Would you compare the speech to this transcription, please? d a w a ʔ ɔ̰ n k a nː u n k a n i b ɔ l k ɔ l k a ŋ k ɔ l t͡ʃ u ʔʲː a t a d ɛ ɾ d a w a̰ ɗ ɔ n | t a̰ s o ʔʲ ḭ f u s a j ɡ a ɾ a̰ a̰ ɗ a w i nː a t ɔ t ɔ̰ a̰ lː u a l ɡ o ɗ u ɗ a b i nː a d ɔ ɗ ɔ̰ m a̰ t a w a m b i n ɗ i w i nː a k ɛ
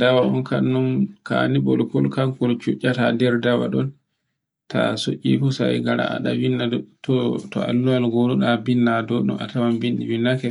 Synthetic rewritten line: d a w a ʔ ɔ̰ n k a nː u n k a n i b ɔ l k ɔ l k a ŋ k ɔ l t͡ʃ u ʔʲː a t a d ɛ ɾ d a w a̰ ɗ ɔ n | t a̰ s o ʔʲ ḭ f u s a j ɡ a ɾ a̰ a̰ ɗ a w i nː a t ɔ t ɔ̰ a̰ lː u a l ɡ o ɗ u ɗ a b i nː a d ɔ ɗ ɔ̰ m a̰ t a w a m b i n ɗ i w i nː a k ɛ